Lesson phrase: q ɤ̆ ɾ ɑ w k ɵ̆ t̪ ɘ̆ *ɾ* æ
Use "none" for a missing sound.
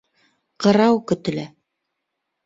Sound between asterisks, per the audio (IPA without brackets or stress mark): l